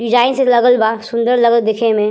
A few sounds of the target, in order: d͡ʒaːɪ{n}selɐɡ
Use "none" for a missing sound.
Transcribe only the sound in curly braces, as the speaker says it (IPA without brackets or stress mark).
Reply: n